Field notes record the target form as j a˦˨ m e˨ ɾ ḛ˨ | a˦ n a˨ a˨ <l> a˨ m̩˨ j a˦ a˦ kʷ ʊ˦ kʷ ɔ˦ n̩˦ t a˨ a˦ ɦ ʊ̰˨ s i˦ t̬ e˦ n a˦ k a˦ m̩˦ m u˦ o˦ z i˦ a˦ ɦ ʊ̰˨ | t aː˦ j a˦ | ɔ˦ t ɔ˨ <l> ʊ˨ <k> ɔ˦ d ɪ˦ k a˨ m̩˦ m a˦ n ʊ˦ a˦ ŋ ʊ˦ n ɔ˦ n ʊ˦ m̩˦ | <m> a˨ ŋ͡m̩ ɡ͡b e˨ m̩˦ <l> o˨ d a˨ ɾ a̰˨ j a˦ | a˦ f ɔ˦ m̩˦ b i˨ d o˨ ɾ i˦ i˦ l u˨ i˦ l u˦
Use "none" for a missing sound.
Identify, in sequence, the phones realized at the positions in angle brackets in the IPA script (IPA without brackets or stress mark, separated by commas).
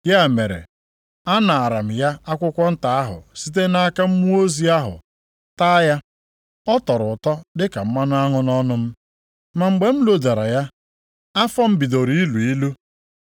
ɾ, ɾ, t, m, l